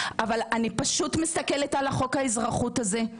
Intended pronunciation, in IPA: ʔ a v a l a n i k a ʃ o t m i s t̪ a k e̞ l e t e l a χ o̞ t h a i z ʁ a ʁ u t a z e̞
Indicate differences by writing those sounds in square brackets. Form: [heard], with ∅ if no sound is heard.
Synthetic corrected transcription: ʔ a v a l a n i [p] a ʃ [u] t m i s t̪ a k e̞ l e t [a] l a χ o̞ [k] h a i z ʁ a [χ] u t a z e̞